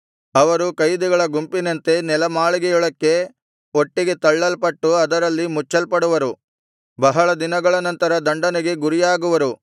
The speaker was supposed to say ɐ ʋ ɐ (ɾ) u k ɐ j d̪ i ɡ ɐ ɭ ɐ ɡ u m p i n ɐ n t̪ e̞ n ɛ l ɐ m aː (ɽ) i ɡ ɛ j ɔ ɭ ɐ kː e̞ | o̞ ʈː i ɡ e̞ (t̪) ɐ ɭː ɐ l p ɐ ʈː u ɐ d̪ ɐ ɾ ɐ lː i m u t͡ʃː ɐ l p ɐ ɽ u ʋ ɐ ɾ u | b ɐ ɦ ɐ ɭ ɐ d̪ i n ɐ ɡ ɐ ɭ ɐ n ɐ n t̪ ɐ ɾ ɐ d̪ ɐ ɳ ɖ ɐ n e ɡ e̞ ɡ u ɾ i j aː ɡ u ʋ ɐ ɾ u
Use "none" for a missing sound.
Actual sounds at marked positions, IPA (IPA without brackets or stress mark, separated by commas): ɾ, ɭ, t̪